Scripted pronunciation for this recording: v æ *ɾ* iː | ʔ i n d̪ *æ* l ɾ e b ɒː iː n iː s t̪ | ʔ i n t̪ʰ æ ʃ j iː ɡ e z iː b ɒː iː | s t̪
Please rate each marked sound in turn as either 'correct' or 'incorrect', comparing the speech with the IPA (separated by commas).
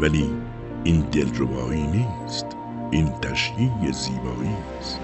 incorrect, incorrect